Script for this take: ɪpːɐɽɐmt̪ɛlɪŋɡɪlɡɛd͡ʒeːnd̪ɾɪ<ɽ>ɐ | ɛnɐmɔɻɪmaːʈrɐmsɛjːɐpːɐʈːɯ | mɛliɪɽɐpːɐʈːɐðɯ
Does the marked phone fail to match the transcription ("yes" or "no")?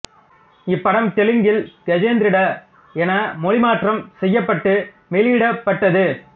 no